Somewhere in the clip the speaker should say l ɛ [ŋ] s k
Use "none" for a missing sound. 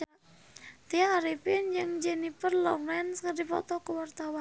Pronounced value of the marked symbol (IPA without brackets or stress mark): n